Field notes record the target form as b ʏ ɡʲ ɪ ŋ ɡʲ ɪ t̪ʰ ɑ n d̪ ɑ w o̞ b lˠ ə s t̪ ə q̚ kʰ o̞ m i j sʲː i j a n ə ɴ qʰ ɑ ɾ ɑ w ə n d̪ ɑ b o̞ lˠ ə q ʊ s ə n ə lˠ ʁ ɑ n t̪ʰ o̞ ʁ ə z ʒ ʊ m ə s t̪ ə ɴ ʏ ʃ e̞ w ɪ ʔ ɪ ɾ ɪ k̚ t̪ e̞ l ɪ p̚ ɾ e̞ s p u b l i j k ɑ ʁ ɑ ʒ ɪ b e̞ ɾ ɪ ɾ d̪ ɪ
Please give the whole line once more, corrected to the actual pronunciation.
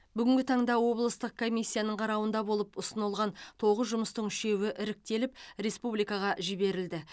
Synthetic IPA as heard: b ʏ ɡʲ ɪ ŋ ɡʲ ɪ t̪ʰ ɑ ɴ d̪ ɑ w o̞ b lˠ ə s t̪ ə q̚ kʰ o̞ m i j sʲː i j a n ə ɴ qʰ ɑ ɾ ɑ w ə n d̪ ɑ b o̞ lˠ ə p ʊ s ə n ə lˠ ʁ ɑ n t̪ʰ o̞ ʁ ə z ʒ ʊ m ə s t̪ ə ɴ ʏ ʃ e̞ w ɪ ʔ ɪ ɾ ɪ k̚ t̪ e̞ l ɪ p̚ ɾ e̞ s p u b l i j k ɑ ʁ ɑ ʒ ɪ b e̞ ɾ ɪ l d̪ ɪ